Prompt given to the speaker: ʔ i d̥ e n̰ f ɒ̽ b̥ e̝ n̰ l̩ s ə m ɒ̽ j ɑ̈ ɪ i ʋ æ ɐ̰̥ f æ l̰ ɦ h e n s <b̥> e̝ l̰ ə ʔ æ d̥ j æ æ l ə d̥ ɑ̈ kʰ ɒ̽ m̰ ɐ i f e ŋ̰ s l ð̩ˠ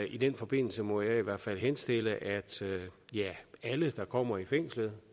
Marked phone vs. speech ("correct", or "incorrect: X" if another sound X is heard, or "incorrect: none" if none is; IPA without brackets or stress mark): incorrect: d̥